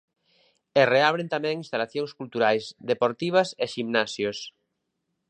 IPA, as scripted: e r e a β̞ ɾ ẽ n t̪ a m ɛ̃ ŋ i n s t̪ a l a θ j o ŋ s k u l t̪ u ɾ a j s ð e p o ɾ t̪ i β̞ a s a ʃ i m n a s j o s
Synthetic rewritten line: e r e a β̞ ɾ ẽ n t̪ a m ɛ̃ ŋ i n s t̪ a l a θ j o ŋ s k u l t̪ u ɾ a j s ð e p o ɾ t̪ i β̞ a s e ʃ i m n a s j o s

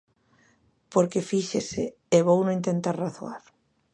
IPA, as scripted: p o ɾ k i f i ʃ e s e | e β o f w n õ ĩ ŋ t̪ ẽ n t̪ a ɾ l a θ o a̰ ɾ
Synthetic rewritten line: p o ɾ k e f i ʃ e s e | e β o w n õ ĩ n t̪ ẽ n t̪ a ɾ r a θ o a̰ ɾ

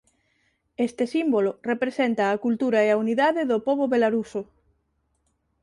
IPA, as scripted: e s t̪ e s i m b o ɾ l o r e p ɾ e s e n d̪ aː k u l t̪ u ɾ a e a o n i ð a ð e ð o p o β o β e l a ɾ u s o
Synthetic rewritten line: e s t̪ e s i m b o l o r e p ɾ e s e n t̪ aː k u l t̪ u ɾ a e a u n i ð a ð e ð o p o β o β e l a ɾ u s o

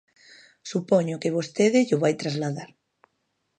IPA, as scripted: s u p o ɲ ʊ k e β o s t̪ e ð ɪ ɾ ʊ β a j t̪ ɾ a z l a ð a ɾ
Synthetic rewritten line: s u p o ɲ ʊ k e β o s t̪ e ð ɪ ʎ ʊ β a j t̪ ɾ a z l a ð a ɾ

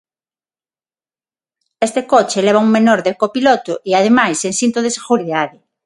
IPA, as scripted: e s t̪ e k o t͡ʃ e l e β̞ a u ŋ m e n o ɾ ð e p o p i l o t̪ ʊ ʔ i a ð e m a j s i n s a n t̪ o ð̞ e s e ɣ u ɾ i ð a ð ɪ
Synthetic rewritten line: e s t̪ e k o t͡ʃ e l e β̞ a u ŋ m e n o ɾ ð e k o p i l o t̪ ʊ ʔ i a ð e m a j s e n s i n t̪ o ð̞ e s e ɣ u ɾ i ð a ð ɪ

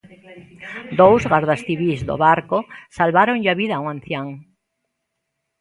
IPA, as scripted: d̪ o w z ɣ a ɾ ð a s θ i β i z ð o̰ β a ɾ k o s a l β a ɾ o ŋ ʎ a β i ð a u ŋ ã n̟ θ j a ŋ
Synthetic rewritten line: d̪ o w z ɣ a ɾ ð a s θ i β i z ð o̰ β a ɾ k o s a l β a ɾ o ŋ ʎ a β i ð a u ŋ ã n̟ θ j a ŋ

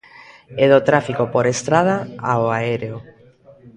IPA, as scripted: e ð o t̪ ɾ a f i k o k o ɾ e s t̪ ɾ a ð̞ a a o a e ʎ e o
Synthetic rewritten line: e ð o t̪ ɾ a f i k o p o ɾ e s t̪ ɾ a ð̞ a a o a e ɾ e o

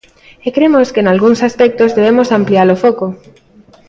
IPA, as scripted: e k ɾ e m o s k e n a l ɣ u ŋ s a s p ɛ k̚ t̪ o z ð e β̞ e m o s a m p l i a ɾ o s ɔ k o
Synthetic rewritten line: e k ɾ e m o s k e n a l ɣ u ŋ s a s p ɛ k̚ t̪ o z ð e β̞ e m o s a m p l i a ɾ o f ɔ k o

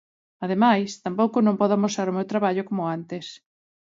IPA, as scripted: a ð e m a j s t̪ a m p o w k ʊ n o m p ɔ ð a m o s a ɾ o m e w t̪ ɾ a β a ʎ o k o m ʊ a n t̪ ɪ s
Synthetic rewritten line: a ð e m a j s t̪ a m p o w k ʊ n õ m p ɔ ð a m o s a ɾ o m e w t̪ ɾ a β a ʎ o k o m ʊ a n t̪ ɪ s

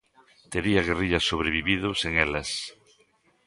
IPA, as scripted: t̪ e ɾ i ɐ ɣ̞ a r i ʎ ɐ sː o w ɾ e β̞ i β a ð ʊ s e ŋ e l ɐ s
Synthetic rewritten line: t̪ e ɾ i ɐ ɣ̞ e r i ʎ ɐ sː o β ɾ e β̞ i β i ð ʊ s e ŋ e l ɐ s

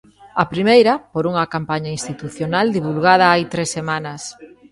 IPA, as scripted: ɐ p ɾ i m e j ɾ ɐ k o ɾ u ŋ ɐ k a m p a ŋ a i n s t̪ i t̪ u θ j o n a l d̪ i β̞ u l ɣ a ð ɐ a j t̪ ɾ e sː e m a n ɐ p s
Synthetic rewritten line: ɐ p ɾ i m e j ɾ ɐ p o ɾ u ŋ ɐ k a m p a ɲ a i n s t̪ i t̪ u θ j o n a l d̪ i β̞ u l ɣ a ð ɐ a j t̪ ɾ e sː e m a n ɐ s

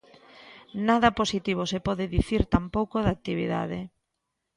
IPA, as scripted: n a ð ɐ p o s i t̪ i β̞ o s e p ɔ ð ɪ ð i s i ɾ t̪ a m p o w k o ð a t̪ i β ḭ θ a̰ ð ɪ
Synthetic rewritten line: n a ð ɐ p o s i t̪ i β̞ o s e p ɔ ð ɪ ð i θ i ɾ t̪ a m p o w k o ð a t̪ i β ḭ ð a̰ ð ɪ

